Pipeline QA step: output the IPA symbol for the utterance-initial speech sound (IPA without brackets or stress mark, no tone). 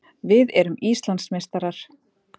v